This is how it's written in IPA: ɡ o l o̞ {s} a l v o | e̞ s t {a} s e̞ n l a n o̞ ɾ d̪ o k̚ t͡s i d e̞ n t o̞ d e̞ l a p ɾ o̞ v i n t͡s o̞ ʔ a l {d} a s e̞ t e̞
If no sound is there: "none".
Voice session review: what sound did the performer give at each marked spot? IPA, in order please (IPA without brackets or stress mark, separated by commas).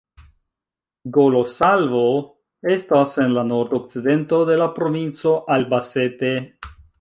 s, a, b